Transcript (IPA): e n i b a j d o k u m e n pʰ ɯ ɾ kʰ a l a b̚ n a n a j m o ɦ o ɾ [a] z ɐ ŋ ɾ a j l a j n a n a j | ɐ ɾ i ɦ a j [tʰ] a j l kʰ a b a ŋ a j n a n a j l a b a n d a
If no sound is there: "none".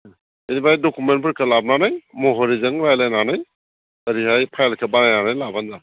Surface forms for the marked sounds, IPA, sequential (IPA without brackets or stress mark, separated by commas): i, pʰ